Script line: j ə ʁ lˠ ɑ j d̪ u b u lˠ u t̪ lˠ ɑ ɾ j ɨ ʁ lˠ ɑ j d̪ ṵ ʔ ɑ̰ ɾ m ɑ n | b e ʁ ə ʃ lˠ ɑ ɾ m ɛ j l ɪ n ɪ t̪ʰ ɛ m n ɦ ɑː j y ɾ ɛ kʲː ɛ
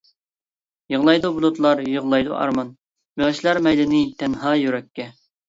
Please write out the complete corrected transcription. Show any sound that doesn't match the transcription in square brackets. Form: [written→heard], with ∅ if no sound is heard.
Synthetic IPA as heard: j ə ʁ lˠ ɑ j d̪ u b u lˠ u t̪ lˠ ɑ ɾ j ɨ ʁ lˠ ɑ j d̪ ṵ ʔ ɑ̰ ɾ m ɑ n | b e ʁ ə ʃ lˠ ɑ ɾ m ɛ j l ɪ n ɪ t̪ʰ ɛ [m→∅] n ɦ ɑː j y ɾ ɛ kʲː ɛ